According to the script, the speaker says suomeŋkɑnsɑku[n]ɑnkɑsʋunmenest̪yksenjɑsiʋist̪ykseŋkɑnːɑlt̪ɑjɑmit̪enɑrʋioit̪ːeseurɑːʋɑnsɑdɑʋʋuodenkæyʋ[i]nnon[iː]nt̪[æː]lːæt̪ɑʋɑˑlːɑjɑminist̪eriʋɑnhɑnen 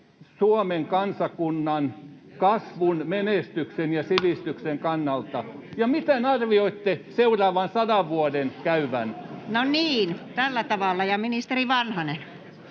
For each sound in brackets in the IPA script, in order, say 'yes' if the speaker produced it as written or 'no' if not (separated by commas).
no, no, yes, no